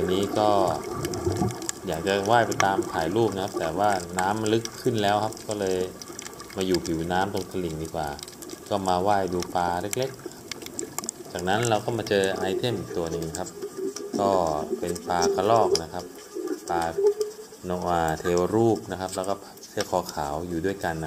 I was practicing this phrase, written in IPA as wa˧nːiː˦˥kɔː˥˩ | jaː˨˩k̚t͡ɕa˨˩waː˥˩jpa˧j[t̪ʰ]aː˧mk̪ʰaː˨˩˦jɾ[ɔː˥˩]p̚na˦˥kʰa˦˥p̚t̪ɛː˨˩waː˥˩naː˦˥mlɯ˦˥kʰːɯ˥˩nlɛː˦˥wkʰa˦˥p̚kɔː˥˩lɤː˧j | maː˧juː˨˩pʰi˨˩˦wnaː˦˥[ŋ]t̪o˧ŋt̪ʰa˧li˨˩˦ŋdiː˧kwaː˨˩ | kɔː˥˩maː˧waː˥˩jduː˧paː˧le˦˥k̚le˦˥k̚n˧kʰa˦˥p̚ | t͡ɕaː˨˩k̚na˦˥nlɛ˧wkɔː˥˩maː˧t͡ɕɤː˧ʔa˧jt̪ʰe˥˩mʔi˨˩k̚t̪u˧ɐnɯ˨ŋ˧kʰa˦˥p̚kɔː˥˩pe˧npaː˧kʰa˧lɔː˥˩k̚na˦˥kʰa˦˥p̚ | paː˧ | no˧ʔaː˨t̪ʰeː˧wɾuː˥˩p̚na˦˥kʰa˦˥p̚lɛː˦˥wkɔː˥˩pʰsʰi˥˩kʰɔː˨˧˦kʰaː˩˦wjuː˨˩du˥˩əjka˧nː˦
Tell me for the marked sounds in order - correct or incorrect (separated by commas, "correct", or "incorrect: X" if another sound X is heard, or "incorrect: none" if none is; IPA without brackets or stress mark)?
incorrect: t̪, incorrect: uː˥˩, incorrect: m